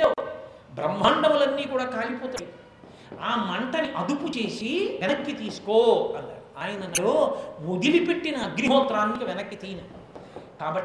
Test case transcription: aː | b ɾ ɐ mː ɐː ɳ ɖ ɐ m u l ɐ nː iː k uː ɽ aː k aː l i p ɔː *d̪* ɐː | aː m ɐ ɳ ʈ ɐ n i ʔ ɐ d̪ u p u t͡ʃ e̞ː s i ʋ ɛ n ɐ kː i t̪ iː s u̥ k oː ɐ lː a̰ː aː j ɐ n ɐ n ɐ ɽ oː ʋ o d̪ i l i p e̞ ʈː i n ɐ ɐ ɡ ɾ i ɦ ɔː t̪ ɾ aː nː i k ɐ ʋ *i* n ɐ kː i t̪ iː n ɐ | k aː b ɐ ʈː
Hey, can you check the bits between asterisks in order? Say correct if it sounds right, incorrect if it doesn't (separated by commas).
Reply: incorrect, incorrect